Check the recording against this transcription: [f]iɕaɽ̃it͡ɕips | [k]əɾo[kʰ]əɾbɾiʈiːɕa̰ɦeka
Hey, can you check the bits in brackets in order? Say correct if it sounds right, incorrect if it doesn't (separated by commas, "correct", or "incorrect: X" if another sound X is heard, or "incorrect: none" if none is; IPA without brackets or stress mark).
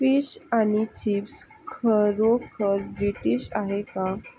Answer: correct, incorrect: kʰ, correct